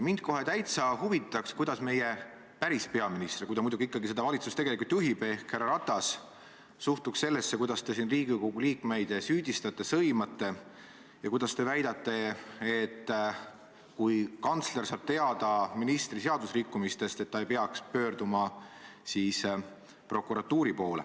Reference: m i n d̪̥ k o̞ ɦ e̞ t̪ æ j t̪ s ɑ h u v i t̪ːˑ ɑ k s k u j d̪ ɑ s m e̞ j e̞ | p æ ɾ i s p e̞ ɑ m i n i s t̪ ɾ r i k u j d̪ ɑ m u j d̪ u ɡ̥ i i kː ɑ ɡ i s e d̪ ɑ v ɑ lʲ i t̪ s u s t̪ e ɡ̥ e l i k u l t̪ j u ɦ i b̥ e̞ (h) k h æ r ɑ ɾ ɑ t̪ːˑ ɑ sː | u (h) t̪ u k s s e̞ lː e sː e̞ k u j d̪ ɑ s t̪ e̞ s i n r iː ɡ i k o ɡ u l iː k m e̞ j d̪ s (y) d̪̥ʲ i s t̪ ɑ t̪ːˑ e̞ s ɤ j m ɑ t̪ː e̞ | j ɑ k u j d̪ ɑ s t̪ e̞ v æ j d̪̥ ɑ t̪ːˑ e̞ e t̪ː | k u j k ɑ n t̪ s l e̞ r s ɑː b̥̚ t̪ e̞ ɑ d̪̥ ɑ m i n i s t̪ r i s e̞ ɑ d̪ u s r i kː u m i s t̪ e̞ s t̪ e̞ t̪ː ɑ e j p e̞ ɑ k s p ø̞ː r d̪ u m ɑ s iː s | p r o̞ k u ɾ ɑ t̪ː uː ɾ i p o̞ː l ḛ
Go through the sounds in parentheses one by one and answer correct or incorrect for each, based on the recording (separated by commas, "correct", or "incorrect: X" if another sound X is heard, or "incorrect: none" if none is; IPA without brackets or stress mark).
correct, correct, incorrect: yː